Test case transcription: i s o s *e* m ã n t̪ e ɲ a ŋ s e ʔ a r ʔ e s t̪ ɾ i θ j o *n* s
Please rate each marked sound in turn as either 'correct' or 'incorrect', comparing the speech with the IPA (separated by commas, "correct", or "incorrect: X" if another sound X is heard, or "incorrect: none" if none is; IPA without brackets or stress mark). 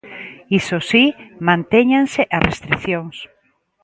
incorrect: i, incorrect: ŋ